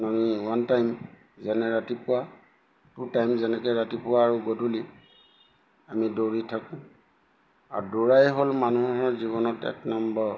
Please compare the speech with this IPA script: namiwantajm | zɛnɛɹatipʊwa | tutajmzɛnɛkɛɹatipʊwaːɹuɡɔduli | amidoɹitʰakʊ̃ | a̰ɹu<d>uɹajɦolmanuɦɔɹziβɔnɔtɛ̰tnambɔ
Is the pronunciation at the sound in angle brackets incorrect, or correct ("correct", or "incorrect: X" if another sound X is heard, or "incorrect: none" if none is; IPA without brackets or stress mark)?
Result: correct